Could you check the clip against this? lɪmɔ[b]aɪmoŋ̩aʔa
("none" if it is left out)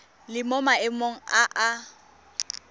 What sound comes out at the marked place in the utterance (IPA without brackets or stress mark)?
m